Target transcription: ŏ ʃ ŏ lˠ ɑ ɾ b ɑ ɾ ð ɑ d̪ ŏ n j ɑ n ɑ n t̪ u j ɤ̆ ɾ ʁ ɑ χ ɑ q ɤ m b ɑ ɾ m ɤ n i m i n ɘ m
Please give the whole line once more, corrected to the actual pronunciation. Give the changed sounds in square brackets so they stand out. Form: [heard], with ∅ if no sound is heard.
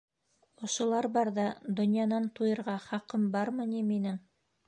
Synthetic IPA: ŏ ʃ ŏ lˠ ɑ ɾ b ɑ ɾ ð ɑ d̪ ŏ n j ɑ n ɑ n t̪ u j ɤ̆ ɾ ʁ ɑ χ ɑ q ɤ m b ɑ ɾ m ɤ n i m i n ɘ [ŋ]